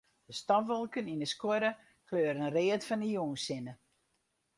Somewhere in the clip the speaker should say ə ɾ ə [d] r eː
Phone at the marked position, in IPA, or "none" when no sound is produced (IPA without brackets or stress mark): n